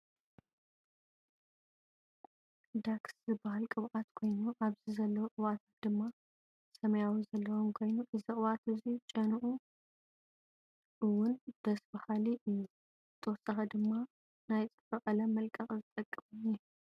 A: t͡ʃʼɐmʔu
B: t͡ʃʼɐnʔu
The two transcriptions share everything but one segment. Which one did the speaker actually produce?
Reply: B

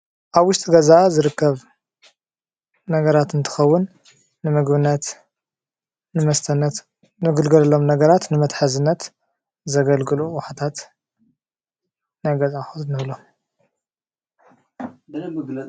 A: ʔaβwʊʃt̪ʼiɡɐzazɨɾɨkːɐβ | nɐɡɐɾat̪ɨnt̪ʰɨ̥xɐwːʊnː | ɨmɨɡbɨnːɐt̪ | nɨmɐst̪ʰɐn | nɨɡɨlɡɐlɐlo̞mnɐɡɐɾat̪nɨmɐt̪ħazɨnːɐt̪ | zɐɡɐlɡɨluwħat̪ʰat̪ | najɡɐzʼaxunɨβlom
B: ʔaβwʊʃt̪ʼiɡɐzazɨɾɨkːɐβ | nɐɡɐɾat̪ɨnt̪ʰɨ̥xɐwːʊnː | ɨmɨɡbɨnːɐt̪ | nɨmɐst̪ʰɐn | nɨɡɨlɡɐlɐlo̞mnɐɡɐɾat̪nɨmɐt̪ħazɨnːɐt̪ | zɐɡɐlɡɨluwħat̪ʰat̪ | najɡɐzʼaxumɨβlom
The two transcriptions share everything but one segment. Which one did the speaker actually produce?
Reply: A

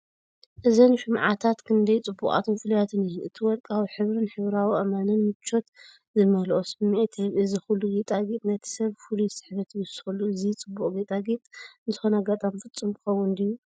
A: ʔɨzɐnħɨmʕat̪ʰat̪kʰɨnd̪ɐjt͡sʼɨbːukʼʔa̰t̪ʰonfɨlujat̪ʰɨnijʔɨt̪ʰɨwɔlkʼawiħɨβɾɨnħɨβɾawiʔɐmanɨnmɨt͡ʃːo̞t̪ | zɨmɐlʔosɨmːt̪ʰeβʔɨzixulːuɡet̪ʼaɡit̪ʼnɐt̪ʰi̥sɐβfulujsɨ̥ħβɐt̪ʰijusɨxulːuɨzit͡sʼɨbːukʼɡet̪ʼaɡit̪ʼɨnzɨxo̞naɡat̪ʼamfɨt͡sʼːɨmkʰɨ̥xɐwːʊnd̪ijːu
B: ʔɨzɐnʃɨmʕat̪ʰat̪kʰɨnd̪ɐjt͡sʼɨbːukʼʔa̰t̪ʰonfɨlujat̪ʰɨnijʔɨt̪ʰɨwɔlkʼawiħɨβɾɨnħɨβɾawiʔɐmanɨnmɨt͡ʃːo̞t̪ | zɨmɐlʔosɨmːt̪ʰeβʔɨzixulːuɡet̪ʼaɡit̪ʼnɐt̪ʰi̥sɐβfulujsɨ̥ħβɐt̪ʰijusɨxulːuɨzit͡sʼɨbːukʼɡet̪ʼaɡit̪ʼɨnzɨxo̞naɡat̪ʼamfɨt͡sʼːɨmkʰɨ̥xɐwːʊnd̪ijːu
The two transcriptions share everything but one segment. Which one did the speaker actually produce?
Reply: B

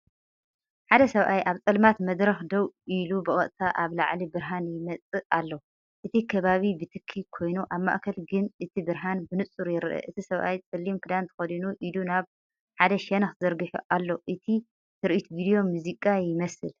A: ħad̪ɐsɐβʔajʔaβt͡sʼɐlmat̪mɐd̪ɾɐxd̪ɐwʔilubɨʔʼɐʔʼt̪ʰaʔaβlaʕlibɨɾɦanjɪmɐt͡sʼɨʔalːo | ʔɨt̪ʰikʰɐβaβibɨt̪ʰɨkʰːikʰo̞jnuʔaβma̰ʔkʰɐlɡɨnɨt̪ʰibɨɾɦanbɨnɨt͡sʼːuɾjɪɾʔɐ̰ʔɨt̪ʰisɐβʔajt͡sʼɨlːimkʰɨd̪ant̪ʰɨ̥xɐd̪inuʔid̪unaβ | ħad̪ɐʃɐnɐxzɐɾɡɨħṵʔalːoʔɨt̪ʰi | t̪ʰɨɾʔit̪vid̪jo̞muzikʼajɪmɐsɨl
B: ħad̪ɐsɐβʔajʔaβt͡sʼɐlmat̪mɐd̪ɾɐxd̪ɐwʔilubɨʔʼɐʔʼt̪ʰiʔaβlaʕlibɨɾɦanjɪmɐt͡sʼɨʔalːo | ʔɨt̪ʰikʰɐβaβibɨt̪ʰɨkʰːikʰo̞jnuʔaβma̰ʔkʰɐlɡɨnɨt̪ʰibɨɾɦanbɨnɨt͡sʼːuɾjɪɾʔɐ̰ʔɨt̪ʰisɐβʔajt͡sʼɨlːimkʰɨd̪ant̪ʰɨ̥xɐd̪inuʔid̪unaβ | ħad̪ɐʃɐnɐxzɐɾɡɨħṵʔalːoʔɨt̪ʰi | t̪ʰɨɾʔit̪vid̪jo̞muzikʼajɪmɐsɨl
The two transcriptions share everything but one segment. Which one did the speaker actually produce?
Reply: A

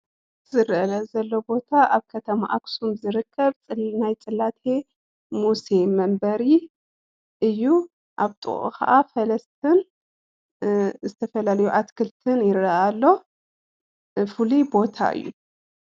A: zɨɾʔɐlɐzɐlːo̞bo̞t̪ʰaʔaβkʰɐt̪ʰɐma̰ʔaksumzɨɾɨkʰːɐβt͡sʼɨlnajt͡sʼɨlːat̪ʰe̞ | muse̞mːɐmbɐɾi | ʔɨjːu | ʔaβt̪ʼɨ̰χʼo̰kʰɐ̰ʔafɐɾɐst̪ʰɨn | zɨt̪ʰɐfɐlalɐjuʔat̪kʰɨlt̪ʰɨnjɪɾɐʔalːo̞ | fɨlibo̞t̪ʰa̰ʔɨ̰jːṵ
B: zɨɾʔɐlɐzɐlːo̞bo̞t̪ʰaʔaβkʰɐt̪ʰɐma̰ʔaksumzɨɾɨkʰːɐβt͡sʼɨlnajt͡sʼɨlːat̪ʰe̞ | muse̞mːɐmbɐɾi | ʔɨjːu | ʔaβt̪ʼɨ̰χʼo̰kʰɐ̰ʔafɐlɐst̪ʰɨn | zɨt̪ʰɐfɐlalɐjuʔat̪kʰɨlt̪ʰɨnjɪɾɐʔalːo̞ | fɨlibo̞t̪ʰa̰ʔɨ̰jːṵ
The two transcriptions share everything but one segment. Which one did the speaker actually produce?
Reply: B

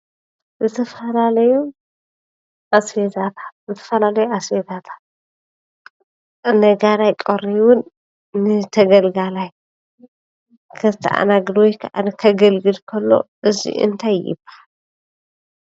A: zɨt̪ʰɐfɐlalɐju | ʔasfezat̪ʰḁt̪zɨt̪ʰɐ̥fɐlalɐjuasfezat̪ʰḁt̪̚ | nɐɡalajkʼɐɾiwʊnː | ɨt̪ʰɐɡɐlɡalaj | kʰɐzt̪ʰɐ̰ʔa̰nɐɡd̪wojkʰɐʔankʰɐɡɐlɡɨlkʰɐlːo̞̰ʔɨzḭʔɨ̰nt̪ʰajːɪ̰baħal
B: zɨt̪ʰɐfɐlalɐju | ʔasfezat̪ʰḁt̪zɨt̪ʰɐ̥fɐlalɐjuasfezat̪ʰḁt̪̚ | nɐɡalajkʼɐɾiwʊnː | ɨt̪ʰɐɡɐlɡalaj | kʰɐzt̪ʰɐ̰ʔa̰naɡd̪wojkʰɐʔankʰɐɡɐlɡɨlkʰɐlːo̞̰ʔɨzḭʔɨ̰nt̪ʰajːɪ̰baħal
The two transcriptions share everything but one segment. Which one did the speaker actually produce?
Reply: B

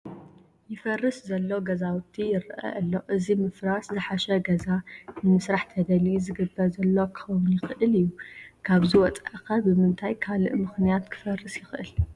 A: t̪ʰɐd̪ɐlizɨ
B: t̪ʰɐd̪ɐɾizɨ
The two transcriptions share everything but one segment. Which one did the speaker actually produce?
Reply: A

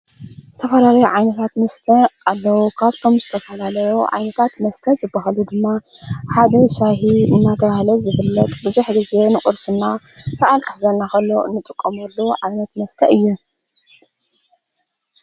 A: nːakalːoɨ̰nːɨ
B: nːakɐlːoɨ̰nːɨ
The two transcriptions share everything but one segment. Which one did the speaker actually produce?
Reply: B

